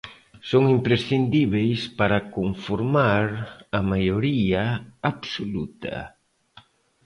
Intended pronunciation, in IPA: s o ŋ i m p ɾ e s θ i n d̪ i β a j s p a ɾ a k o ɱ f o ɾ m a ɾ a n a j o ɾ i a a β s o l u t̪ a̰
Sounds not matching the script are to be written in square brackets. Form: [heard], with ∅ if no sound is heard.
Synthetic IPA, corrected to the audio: s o ŋ i m p ɾ e s θ i n d̪ i β [e] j s p a ɾ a k o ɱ f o ɾ m a ɾ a [m] a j o ɾ i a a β s o l u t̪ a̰